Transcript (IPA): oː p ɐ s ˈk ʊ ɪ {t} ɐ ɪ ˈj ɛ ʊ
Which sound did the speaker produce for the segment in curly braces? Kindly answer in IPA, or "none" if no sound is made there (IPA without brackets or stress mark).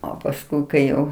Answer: k